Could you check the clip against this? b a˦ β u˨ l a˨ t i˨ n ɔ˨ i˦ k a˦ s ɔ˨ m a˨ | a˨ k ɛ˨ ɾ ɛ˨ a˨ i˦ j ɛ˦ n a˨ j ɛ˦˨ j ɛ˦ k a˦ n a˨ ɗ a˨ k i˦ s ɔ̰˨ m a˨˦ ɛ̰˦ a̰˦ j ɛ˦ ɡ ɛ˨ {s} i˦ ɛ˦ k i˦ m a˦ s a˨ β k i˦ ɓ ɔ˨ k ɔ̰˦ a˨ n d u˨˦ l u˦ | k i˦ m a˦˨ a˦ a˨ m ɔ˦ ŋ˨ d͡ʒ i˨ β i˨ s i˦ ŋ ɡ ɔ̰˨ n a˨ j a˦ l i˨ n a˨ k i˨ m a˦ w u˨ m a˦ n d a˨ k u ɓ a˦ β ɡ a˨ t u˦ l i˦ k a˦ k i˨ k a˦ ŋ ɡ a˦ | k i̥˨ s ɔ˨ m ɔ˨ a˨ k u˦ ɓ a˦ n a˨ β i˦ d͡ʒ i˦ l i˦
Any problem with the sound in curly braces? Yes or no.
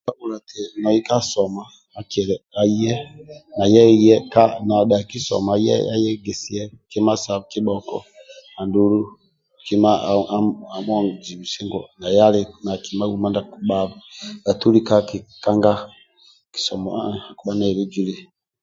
no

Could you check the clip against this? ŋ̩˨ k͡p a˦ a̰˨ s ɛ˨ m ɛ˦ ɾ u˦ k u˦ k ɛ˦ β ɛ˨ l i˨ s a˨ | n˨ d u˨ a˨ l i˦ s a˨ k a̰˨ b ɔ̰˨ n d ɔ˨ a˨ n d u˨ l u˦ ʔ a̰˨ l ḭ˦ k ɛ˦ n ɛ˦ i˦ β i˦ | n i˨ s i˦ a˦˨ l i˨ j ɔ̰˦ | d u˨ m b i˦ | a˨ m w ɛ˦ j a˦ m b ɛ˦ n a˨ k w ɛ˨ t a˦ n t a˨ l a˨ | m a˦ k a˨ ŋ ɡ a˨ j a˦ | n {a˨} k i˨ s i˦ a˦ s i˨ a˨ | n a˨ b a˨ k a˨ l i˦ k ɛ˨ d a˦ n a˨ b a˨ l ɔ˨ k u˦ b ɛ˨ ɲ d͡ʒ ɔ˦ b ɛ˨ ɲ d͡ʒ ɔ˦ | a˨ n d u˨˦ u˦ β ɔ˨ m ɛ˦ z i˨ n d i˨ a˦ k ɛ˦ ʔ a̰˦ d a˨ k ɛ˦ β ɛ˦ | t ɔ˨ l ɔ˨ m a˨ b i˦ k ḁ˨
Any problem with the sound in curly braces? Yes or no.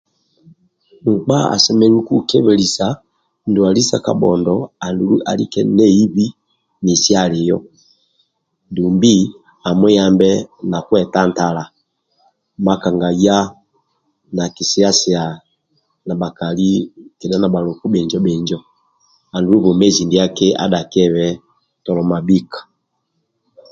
no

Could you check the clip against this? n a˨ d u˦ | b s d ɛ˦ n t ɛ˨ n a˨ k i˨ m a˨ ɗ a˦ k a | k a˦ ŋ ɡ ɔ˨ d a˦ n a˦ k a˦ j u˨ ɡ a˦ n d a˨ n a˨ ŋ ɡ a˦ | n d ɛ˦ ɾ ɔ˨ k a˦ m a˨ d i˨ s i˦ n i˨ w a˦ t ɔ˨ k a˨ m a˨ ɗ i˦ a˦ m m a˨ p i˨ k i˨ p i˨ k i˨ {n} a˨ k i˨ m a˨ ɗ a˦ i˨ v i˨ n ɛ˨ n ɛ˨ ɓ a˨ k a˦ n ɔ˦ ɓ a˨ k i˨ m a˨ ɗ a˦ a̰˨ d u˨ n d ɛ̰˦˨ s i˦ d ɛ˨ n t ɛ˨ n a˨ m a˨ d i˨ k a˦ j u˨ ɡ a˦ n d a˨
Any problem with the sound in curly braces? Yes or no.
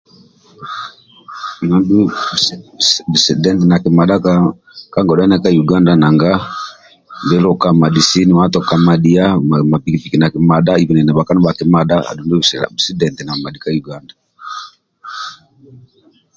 no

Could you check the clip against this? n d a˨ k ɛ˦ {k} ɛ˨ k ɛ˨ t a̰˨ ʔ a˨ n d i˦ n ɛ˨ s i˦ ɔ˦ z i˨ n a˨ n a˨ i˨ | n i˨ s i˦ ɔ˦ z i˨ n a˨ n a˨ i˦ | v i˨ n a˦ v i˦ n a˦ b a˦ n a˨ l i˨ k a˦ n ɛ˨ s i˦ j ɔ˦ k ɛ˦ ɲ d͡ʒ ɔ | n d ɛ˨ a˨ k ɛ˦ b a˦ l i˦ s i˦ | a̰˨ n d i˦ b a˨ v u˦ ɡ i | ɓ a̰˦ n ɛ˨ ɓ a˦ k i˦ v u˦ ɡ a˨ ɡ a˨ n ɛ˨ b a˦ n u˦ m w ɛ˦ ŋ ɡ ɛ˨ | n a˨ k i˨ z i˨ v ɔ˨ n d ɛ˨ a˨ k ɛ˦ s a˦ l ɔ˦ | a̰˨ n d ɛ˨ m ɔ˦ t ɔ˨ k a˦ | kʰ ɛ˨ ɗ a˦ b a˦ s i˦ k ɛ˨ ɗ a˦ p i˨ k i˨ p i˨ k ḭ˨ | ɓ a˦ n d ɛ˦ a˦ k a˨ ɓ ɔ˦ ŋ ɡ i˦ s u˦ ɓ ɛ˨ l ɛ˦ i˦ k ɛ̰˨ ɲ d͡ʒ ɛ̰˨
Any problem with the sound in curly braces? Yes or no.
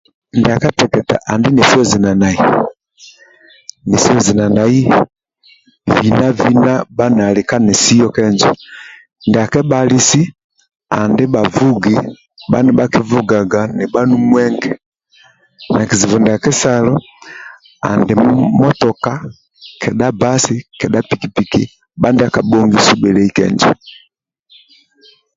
yes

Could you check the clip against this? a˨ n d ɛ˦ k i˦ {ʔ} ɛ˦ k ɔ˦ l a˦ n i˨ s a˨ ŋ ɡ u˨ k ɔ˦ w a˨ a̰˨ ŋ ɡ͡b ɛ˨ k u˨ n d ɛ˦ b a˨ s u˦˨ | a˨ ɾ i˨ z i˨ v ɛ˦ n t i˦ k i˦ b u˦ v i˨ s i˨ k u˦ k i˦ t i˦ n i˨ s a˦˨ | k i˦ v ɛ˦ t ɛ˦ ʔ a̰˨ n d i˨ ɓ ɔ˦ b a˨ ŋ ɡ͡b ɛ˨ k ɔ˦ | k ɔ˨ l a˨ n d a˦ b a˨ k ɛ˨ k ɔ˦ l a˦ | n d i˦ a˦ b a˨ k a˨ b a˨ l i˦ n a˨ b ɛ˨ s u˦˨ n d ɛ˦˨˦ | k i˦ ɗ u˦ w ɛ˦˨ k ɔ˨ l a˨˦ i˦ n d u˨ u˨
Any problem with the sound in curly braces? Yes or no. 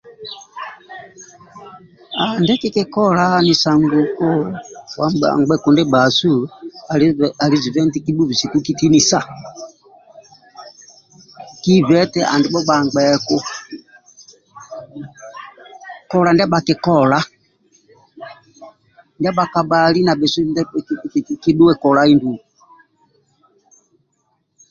yes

